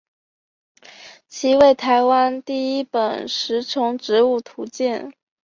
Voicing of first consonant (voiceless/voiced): voiceless